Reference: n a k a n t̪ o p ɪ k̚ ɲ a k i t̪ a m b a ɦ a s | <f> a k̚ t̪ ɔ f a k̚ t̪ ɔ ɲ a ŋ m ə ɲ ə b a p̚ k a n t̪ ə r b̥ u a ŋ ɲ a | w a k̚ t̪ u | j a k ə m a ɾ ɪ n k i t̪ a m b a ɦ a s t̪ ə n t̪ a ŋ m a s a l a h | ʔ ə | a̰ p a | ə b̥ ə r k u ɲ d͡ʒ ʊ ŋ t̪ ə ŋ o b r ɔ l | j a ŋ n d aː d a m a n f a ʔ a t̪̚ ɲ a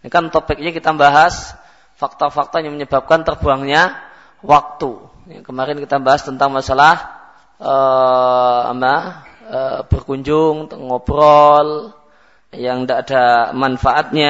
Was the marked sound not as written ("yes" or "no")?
no